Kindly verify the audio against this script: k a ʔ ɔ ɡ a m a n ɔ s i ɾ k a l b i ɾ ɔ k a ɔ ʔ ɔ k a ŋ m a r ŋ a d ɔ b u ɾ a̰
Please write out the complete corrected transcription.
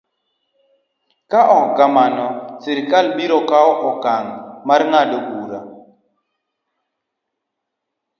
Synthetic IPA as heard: k a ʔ ɔ ɡ a m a n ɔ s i ɾ k a l b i ɾ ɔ k a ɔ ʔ ɔ k a ŋ m a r ŋ a d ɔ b u ɾ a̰